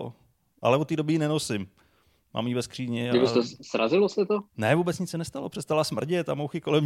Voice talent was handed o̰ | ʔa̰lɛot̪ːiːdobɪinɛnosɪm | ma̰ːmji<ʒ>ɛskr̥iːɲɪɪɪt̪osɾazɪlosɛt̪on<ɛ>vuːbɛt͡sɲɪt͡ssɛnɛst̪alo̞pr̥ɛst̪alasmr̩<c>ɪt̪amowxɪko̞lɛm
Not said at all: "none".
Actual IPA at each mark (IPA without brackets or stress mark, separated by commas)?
v, ɛ, ɟ